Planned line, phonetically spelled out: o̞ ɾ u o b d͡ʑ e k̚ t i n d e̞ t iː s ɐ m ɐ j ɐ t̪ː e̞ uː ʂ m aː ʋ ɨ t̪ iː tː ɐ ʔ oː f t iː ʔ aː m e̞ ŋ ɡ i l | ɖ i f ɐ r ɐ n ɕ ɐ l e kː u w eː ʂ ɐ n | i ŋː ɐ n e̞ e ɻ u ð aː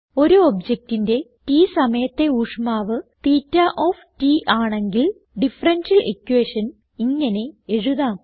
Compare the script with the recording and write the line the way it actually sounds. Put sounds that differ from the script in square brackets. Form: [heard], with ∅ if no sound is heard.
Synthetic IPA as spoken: o̞ ɾ u o b d͡ʑ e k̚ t i n d e̞ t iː s ɐ m ɐ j ɐ t̪ː e̞ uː ʂ m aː ʋ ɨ t̪ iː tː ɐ ʔ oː f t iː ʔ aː [ɳ] e̞ ŋ ɡ i l | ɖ i f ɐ r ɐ n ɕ ɐ l e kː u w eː ʂ ɐ n | i ŋː ɐ n e̞ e ɻ u ð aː